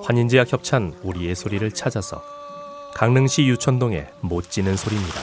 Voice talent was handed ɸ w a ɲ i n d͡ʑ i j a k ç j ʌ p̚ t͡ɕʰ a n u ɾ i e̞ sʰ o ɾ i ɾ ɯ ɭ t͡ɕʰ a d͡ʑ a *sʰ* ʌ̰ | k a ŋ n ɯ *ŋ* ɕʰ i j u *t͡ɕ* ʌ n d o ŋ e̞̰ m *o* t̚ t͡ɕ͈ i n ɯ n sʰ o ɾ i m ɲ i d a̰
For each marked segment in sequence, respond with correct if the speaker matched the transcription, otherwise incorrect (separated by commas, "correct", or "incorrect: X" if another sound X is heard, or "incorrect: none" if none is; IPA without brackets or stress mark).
correct, correct, incorrect: t͡ɕʰ, correct